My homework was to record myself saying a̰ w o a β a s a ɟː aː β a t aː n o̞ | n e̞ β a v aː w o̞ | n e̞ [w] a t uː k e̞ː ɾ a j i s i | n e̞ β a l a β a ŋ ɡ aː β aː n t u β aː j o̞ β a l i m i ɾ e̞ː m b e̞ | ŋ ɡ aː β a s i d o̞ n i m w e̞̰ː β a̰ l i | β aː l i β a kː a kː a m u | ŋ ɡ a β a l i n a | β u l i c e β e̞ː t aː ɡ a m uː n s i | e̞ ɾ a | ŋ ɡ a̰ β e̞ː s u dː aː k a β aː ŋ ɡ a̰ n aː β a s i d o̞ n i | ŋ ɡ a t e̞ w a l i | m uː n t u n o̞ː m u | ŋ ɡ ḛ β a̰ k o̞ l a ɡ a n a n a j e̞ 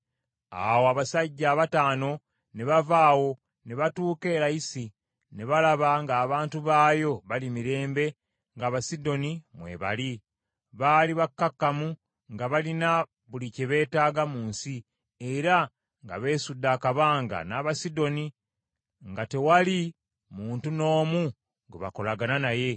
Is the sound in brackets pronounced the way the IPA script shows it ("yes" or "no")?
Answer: no